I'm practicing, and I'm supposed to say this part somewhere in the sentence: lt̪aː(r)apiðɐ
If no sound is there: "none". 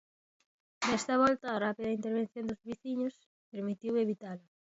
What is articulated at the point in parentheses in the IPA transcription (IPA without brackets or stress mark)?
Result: r